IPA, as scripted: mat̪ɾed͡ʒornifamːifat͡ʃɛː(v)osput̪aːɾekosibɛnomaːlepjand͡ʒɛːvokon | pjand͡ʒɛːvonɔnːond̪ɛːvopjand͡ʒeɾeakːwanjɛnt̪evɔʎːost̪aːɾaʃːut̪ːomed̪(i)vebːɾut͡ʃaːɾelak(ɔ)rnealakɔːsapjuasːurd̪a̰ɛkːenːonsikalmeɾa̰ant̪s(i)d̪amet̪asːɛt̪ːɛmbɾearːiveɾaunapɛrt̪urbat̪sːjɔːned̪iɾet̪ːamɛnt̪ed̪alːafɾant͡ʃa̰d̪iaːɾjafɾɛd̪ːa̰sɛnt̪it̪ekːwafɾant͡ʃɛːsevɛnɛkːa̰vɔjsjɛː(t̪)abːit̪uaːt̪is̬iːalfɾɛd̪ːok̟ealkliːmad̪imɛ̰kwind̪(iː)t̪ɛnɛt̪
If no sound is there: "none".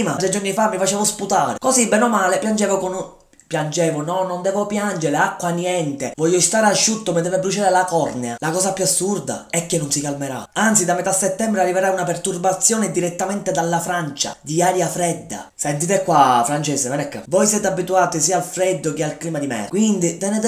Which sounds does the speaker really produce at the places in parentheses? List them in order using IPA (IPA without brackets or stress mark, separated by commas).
v, ɛ, ɔ, i, t̪, i